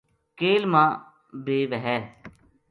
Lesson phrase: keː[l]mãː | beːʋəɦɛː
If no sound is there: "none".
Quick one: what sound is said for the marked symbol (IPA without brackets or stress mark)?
l